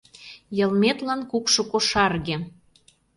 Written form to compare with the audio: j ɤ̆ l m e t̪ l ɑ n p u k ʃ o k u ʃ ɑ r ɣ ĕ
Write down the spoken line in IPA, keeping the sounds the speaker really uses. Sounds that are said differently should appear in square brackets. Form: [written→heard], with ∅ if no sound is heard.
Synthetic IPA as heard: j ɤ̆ l m e t̪ l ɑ n [p→k] u k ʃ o k [u→o] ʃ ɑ r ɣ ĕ